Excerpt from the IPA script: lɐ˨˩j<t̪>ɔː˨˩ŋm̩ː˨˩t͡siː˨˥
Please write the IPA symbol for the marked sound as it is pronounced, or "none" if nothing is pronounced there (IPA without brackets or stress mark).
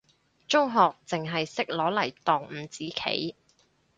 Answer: t̪